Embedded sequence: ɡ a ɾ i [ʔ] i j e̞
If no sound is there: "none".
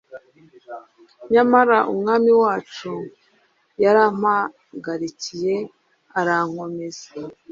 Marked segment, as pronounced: c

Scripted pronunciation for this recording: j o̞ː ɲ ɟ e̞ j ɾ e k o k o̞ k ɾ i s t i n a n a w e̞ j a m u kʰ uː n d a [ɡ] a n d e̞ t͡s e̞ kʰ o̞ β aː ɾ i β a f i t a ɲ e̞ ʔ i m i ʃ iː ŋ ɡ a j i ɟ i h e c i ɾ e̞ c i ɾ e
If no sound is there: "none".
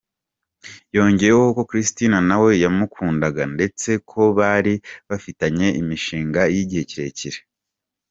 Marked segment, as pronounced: ɡ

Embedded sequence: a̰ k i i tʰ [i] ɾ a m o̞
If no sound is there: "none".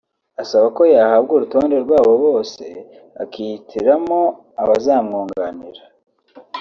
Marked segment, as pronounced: i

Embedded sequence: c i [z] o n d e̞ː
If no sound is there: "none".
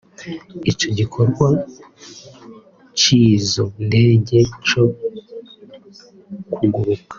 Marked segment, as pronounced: z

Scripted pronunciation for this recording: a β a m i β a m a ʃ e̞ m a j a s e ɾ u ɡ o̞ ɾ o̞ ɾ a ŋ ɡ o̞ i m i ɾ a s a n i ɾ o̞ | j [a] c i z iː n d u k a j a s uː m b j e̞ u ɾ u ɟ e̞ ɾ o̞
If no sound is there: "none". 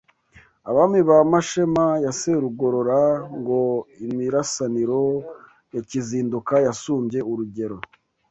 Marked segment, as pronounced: a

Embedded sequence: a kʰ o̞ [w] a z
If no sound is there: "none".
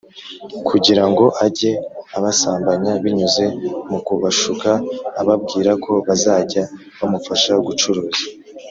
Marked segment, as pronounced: β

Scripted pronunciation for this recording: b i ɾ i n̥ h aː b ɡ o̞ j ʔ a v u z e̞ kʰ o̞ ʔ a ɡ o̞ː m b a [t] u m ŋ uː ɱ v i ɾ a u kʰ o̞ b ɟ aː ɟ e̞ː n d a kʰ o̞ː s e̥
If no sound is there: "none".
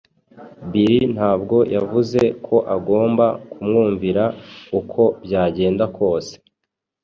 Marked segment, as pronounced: k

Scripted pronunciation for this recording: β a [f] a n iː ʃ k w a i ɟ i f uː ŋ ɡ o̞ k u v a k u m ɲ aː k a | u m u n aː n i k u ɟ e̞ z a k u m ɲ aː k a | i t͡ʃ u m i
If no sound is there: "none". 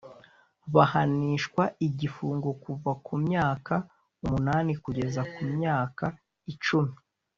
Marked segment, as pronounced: h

